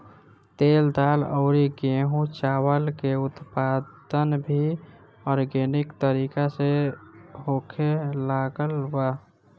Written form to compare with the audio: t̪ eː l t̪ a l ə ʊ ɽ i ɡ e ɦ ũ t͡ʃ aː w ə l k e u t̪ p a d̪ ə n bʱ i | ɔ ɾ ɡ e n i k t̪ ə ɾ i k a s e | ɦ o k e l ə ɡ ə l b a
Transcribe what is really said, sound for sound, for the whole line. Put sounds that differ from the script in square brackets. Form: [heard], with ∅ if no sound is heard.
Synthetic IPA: t̪ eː l [d̪] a l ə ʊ [ɾ] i ɡ e ɦ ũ t͡ʃ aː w ə l k e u t̪ p a d̪ ə n bʱ i | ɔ ɾ ɡ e n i k t̪ ə ɾ i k a s e | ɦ o [kʰ] e l [a] ɡ ə l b a